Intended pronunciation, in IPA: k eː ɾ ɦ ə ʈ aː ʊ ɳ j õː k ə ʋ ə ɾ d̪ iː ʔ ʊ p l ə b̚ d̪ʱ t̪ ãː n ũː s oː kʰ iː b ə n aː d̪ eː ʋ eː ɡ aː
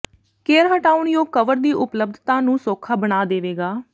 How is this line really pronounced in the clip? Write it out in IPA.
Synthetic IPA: k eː ɾ ɦ ə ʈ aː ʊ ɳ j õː k ə ʋ ə ɾ d̪ iː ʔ ʊ p l ə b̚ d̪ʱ t̪ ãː n ũː s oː kʰ aː b ə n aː d̪ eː ʋ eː ɡ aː